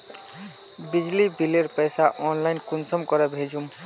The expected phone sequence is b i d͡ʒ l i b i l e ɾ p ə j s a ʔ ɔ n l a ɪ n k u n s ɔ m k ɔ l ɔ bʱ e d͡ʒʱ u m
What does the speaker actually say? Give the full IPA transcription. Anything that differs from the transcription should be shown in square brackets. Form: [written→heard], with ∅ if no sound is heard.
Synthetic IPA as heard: b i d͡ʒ l i b i l e ɾ p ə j s a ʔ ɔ n l a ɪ n k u n s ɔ m k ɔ [l→ɾ] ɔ bʱ e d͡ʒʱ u m

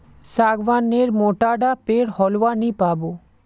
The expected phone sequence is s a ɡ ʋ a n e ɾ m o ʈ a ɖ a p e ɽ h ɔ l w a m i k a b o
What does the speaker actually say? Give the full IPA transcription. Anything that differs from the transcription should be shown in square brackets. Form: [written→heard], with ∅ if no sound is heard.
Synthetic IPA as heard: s a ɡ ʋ a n e ɾ m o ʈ a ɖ a p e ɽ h ɔ l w a [m→n] i [k→p] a b o

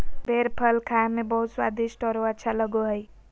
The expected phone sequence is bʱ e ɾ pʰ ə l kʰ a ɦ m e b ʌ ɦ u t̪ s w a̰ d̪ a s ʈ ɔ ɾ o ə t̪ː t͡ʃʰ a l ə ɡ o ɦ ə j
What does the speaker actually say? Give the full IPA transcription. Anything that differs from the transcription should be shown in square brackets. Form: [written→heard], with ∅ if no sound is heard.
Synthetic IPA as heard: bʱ e ɾ pʰ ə l kʰ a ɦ m e b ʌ ɦ u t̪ s w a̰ d̪ [a→i] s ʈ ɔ ɾ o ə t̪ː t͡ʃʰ a l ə ɡ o ɦ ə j

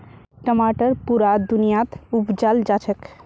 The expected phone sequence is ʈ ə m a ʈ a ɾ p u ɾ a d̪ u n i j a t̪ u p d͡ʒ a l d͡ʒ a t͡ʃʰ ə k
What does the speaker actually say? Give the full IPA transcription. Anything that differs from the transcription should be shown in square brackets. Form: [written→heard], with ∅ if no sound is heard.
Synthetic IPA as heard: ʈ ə m a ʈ [a→ə] ɾ p u ɾ a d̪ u n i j a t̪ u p d͡ʒ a l d͡ʒ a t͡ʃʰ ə k

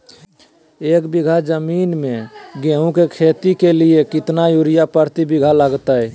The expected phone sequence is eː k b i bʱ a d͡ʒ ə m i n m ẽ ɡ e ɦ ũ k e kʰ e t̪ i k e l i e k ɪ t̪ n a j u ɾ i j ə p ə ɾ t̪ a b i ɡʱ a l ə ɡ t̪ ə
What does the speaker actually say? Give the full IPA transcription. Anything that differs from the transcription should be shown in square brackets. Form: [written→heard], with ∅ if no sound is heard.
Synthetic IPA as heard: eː k b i [bʱ→ɡʱ] a d͡ʒ ə m i n m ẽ ɡ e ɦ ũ k e kʰ e t̪ i k e l i e k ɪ t̪ n a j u ɾ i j [ə→a] p ə ɾ t̪ [a→i] b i ɡʱ a l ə ɡ t̪ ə

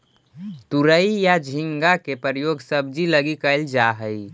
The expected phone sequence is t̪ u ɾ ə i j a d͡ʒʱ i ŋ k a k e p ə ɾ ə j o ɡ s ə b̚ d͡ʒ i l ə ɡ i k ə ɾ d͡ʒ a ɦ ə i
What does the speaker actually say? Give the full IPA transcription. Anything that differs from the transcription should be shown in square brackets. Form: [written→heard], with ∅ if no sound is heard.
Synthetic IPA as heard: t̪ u ɾ ə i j a d͡ʒʱ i ŋ [k→ɡ] a k e p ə ɾ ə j o ɡ s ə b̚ d͡ʒ i l ə ɡ i k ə [ɾ→l] d͡ʒ a ɦ ə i

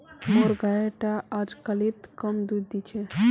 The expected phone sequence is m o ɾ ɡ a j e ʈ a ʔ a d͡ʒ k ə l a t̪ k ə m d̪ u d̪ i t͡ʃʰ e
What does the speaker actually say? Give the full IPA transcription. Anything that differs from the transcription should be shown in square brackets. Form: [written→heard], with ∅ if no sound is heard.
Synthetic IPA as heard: m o ɾ ɡ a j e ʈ a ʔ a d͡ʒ k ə l [a→i] t̪ k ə m d̪ u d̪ i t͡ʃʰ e

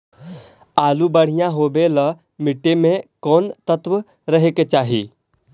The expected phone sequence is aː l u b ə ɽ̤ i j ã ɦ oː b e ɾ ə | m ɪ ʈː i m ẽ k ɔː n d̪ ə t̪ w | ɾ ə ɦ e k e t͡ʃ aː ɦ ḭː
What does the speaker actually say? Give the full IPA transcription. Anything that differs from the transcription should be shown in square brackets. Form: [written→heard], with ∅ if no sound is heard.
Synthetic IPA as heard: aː l u b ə ɽ̤ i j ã ɦ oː b e [ɾ→l] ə | m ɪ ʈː [i→e] m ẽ k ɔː n [d̪→t̪] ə t̪ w | ɾ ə ɦ e k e t͡ʃ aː ɦ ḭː

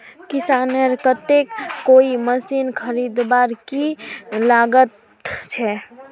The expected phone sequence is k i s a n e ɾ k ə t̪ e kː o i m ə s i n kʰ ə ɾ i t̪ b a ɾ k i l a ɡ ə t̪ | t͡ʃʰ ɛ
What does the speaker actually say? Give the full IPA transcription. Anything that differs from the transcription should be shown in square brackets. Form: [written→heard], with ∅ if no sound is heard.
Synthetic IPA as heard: k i s a n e ɾ k ə t̪ e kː o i m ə s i n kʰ ə ɾ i [t̪→d̪] b a ɾ k i l a ɡ ə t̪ | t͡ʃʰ ɛ

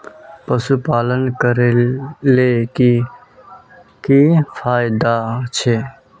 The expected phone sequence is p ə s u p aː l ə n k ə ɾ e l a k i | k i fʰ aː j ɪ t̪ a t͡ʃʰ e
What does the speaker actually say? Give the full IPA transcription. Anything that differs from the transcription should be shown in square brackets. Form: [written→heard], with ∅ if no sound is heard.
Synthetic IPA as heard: p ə s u p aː l ə n k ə ɾ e l [a→e] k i | k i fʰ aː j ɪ [t̪→d̪] a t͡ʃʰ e

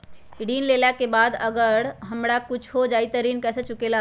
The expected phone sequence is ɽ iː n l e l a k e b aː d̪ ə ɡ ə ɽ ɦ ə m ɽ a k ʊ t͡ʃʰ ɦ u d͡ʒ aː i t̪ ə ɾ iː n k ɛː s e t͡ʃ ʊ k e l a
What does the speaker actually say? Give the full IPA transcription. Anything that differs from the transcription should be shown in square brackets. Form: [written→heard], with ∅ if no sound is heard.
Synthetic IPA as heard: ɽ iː n l e l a k e b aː d̪ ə ɡ ə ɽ ɦ ə m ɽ a k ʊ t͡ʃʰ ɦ [u→o] d͡ʒ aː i t̪ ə ɾ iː n k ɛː s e t͡ʃ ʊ k e l a

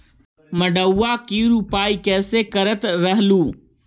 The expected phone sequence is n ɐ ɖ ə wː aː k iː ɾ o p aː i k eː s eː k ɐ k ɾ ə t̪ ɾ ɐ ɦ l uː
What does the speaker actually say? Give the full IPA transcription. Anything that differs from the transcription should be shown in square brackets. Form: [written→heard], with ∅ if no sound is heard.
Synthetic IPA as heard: [n→m] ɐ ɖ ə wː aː k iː ɾ [o→u] p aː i k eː s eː k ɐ [k→∅] ɾ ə t̪ ɾ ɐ ɦ l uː

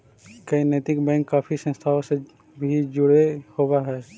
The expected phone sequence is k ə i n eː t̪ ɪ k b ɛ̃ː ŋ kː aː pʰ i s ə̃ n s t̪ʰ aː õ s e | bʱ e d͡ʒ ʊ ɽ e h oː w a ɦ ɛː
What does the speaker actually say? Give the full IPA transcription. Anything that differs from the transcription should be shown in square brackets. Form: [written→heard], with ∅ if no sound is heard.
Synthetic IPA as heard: k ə i n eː t̪ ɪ k b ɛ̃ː ŋ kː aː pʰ i s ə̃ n s t̪ʰ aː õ s e | bʱ [e→i] d͡ʒ ʊ ɽ e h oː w a ɦ ɛː

